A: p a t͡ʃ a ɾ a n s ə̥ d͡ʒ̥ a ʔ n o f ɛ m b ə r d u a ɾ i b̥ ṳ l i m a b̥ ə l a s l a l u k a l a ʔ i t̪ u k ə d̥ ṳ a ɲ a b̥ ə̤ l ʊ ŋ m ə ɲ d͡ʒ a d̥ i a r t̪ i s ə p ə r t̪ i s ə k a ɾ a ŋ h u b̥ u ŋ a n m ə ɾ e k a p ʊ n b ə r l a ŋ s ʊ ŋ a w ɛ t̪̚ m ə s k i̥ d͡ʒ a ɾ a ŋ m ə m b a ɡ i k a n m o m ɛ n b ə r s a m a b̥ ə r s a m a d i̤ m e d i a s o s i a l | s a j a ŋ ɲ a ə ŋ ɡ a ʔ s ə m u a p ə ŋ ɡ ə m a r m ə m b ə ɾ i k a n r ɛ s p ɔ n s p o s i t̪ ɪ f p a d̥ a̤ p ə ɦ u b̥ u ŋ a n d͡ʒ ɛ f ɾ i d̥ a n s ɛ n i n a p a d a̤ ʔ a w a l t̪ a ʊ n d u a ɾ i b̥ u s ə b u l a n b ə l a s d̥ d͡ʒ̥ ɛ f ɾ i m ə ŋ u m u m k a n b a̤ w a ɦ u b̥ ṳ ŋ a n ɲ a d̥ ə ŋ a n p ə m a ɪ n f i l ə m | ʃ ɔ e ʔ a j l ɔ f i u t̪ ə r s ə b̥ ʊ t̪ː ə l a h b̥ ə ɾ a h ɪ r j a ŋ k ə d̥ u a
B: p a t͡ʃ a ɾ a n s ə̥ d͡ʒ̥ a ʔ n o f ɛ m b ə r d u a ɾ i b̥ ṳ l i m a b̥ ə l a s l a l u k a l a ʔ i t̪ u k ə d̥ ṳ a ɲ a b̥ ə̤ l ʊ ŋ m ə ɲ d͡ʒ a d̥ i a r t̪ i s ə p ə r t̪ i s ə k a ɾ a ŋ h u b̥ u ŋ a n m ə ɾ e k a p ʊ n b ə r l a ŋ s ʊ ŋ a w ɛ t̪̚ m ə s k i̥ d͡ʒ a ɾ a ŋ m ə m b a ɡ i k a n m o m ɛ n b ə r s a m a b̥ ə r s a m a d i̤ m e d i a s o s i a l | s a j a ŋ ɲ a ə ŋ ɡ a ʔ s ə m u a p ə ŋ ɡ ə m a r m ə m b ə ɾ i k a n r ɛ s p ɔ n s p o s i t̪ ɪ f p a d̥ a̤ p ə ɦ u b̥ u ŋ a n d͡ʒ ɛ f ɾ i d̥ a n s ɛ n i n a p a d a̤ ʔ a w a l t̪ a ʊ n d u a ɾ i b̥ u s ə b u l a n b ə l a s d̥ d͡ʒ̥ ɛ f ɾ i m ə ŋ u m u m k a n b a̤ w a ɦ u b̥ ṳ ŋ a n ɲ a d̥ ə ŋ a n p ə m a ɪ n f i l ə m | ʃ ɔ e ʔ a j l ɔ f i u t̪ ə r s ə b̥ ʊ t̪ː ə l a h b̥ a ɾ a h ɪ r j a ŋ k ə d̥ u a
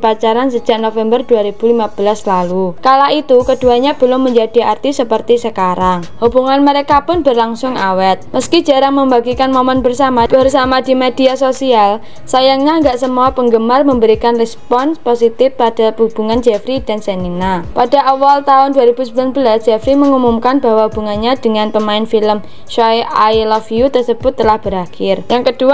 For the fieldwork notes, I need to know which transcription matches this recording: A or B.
A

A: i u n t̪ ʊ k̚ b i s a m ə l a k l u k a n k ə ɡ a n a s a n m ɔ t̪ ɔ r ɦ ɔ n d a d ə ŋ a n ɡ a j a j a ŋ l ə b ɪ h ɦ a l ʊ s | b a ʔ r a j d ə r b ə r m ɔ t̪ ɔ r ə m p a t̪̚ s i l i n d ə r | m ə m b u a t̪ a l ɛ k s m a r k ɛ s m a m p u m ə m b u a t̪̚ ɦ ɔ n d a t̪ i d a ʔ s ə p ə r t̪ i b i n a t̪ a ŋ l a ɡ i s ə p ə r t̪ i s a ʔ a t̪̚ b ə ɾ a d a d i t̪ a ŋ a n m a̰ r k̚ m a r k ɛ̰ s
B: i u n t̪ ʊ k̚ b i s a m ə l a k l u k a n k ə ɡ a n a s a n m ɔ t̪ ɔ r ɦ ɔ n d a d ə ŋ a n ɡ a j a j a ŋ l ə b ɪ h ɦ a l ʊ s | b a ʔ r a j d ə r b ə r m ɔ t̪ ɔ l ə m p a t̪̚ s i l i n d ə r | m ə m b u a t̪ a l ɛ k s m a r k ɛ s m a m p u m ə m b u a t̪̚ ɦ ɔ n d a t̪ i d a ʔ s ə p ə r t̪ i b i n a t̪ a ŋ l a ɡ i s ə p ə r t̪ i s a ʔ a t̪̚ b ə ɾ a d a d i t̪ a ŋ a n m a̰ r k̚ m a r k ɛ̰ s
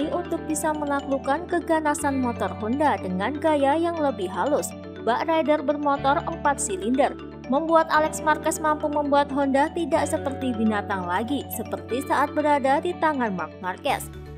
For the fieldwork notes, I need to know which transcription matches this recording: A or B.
A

